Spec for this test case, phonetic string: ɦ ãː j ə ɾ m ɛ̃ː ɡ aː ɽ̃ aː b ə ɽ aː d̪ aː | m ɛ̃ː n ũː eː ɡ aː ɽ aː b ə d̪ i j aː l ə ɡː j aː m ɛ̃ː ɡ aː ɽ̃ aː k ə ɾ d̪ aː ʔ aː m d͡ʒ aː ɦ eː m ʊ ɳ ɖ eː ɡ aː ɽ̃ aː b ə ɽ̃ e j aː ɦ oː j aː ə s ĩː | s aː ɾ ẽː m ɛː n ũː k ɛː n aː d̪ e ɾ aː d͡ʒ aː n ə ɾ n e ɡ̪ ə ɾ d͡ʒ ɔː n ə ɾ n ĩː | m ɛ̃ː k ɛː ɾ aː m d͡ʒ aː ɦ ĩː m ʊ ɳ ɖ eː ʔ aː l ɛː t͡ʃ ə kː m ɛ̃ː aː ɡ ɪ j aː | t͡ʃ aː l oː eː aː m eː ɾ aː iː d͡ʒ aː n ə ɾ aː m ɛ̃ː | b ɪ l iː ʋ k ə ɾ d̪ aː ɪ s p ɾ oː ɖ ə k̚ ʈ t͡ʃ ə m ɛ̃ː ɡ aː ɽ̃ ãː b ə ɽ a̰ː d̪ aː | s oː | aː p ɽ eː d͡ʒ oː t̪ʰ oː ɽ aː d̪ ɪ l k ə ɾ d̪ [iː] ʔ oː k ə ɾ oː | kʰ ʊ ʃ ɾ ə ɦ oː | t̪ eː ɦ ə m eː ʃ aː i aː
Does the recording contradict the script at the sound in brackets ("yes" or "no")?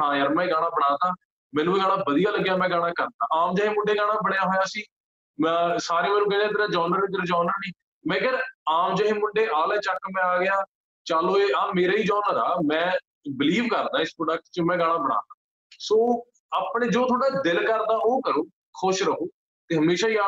yes